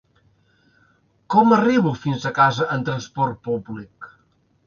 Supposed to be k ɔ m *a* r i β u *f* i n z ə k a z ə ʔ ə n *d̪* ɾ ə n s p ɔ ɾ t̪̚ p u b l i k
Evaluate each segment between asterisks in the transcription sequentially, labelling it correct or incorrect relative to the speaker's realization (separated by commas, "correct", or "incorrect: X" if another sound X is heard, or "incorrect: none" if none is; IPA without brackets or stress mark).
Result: incorrect: ə, correct, incorrect: t̪